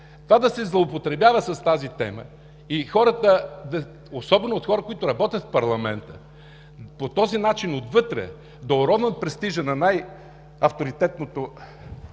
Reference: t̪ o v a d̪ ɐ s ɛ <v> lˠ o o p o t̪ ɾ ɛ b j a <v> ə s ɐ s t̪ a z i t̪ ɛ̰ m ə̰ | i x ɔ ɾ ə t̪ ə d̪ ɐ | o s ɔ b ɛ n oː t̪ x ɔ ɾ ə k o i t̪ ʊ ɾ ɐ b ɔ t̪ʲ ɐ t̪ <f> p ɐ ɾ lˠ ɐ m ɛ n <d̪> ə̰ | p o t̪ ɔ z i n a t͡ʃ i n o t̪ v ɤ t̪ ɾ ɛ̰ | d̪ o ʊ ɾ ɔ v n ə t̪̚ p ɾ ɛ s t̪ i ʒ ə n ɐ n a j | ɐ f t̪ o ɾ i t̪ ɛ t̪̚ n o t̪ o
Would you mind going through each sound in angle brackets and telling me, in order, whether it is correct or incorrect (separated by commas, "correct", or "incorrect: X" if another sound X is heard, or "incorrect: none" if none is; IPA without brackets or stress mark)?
incorrect: z, correct, correct, incorrect: t̪